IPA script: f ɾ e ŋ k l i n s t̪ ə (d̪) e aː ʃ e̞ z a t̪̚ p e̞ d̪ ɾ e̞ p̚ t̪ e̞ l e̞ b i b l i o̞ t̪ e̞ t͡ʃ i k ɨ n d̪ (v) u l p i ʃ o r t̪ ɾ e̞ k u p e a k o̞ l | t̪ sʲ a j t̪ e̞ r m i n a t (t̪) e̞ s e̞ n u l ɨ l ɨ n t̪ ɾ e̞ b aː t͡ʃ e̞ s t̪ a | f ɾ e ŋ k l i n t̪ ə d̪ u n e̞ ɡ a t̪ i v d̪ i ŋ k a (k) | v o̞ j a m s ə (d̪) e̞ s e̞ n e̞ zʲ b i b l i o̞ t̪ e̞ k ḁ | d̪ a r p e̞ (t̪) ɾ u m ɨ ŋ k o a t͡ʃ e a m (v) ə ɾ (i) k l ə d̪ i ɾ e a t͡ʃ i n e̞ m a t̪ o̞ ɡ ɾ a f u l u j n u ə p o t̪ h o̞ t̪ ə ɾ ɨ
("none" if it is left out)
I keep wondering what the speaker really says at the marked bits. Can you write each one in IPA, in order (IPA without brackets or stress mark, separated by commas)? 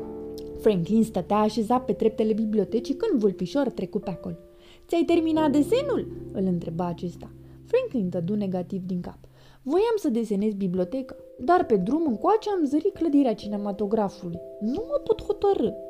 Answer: t̪, v, d̪, p, d̪, d̪, z, i